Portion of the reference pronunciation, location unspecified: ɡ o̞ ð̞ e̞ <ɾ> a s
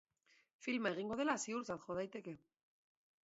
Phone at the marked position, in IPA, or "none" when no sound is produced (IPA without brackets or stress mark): l